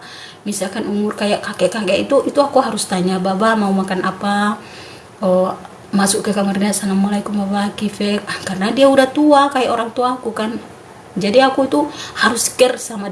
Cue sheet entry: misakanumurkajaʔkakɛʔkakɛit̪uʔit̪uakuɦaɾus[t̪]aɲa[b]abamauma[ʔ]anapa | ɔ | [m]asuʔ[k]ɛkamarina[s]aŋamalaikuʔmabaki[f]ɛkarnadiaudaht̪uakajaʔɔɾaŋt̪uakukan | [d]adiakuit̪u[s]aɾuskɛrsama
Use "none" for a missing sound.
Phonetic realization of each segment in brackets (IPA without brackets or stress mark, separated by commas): t̪, b, k, m, k, s, f, d͡ʒ, h